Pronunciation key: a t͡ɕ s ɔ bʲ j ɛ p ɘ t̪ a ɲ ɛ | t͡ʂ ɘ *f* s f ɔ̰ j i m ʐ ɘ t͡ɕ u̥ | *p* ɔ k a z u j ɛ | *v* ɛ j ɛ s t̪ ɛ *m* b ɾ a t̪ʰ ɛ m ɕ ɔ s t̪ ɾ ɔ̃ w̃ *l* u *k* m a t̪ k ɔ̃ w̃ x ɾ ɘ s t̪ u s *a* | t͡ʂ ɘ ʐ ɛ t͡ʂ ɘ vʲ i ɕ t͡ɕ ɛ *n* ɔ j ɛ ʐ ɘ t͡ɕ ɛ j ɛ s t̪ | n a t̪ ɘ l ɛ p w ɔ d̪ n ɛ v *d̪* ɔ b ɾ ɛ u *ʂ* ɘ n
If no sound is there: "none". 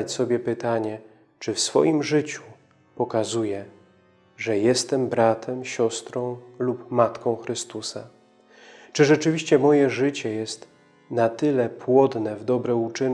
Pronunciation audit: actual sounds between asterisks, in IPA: f, p, ʐ, m, l, p, a, m, d̪, t͡ʂ

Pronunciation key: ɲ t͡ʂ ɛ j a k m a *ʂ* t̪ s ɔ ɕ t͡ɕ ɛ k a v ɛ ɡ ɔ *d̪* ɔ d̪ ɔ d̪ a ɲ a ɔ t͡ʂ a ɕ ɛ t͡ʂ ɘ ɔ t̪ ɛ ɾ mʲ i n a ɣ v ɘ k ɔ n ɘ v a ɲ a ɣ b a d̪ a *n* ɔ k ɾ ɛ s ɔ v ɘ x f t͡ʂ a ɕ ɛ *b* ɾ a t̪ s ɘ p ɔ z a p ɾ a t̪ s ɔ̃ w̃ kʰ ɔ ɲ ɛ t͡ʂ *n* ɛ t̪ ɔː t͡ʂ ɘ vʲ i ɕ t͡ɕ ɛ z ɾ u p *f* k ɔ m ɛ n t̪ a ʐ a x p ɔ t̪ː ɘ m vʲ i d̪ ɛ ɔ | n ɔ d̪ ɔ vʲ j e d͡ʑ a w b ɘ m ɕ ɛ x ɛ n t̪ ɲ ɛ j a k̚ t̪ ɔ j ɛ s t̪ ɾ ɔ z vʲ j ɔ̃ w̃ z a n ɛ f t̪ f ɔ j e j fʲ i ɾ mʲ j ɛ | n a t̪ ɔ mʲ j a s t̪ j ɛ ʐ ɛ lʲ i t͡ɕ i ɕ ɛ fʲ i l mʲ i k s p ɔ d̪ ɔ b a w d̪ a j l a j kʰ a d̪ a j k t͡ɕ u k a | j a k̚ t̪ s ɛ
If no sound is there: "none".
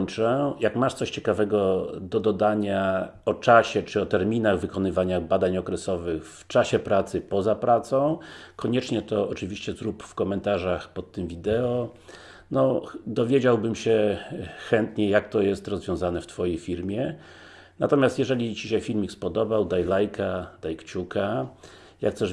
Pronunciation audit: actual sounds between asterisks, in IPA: ʂ, d̪, ɲ, p, ɲ, f

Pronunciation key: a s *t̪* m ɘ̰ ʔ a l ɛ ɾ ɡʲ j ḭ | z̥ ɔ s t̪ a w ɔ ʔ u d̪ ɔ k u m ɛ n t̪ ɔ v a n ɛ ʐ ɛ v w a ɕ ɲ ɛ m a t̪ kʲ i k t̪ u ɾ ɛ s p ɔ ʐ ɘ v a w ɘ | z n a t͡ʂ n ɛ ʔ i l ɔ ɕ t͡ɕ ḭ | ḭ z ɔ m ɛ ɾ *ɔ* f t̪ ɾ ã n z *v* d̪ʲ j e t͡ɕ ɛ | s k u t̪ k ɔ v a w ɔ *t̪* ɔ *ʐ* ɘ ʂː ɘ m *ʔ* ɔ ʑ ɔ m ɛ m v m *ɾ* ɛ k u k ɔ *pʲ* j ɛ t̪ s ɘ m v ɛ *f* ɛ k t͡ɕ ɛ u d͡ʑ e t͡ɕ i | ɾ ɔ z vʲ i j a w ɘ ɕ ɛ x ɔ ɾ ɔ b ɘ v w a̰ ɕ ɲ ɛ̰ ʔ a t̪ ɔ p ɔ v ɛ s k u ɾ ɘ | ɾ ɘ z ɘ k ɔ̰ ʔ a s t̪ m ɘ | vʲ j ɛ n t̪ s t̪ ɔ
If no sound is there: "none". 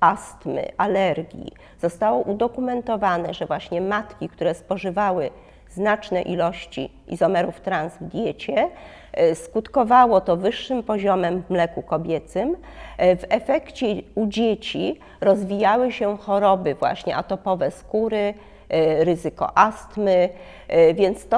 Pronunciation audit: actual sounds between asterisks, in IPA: t̪, u, v, t̪, v, p, l, bʲ, f

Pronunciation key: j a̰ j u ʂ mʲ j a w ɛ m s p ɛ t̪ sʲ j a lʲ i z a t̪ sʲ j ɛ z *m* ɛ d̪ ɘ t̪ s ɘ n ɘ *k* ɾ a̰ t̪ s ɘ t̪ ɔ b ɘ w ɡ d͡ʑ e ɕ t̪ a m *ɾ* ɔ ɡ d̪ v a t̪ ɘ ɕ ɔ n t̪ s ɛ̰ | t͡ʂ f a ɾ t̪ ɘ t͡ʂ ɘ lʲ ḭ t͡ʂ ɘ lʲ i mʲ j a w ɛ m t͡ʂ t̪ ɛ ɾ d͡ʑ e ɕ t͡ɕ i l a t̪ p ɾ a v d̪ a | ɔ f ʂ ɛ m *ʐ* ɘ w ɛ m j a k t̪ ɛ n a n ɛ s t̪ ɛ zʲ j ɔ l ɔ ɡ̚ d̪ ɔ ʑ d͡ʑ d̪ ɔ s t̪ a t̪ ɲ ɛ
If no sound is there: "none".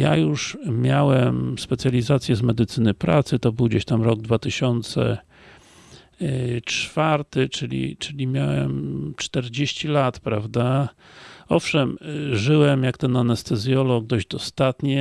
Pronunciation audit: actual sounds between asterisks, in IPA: m, p, ɾ, ʐ

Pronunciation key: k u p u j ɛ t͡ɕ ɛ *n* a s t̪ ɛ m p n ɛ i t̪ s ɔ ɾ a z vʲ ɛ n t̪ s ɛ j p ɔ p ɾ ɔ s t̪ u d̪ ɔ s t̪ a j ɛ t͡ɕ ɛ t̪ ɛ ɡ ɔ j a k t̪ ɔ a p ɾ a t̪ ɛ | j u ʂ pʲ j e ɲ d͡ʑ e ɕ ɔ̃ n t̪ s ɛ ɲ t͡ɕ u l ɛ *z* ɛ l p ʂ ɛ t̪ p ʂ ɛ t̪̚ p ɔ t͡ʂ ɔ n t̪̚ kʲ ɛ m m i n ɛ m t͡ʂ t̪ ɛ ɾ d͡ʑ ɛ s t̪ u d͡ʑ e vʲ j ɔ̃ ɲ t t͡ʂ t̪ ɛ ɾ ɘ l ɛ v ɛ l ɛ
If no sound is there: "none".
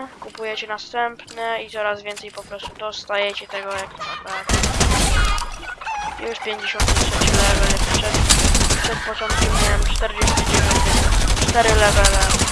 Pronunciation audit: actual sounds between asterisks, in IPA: n, v

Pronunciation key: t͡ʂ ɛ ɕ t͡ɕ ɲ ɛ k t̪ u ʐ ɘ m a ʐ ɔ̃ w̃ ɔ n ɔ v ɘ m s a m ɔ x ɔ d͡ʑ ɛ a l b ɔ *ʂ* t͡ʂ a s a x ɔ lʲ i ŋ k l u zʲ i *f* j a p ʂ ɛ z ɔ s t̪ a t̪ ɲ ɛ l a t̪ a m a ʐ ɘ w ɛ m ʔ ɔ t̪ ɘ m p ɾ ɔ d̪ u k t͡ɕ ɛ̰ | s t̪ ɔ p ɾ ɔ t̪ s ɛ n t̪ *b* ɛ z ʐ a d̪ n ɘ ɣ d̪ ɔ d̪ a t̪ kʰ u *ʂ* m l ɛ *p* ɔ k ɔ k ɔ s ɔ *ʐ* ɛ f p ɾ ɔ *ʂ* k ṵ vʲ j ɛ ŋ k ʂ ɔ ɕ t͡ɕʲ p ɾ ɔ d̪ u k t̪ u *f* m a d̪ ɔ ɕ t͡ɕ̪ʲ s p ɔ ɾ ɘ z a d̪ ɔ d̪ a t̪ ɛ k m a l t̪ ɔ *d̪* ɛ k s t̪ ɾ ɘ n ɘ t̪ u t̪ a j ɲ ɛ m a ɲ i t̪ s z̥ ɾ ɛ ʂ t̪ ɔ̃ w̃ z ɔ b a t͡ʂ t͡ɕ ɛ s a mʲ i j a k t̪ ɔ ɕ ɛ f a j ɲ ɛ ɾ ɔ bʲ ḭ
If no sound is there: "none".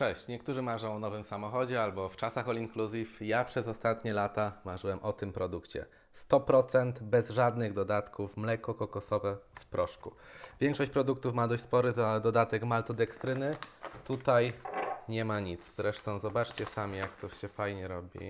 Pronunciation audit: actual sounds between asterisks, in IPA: f, f, b, f, k, v, ʂ, f, d̪

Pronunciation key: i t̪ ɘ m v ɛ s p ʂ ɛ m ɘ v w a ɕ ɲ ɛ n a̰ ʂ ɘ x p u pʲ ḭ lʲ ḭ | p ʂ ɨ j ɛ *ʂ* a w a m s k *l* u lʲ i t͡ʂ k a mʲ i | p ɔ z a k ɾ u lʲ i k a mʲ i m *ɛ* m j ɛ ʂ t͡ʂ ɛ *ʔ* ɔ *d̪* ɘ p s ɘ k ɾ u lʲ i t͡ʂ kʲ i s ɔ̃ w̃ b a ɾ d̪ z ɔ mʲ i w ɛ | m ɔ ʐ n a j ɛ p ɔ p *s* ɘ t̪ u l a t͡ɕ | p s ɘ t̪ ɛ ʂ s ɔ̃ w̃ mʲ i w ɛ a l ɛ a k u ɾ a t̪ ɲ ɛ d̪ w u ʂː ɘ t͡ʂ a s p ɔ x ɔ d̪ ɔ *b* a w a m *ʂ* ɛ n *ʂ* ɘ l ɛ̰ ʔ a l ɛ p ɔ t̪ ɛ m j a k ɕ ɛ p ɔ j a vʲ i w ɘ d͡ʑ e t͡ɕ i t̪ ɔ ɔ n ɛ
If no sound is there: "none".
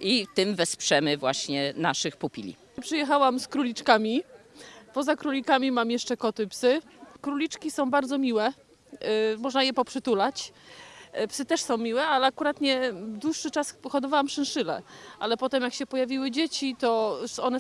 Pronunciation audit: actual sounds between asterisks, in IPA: x, ɾ, a, k, t̪, ʂ, v, ʂ, ʂ

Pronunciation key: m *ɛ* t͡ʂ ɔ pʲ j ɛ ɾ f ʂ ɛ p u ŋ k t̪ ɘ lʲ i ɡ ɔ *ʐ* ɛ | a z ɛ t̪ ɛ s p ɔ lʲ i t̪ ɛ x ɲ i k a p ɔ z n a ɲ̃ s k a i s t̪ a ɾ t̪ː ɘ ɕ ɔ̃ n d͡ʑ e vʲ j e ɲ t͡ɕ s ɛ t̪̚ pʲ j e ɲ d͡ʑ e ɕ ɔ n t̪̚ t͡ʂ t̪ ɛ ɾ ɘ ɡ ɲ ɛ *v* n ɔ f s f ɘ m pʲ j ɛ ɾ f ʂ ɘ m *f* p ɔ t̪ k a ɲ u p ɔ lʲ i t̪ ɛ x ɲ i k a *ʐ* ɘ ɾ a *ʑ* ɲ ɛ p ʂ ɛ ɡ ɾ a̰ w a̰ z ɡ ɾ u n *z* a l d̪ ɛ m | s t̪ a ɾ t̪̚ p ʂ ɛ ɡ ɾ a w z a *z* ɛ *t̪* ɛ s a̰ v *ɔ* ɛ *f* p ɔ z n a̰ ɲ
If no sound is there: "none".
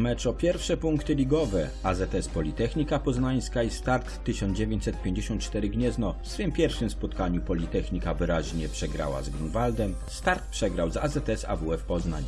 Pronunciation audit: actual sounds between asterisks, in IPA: ɛ, v, z, s, v, ʑ, v, z, t̪, u, f

